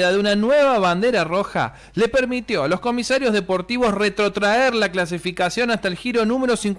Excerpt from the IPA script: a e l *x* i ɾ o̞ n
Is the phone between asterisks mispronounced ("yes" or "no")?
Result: no